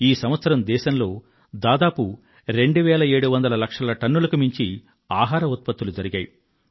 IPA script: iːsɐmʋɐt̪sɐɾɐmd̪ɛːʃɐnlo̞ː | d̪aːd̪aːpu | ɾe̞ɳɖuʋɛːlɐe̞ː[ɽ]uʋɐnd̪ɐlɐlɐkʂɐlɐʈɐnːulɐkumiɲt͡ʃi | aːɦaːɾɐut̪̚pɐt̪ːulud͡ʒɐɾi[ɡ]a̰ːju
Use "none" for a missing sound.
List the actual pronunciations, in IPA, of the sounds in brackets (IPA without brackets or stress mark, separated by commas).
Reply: ɽ, ɡ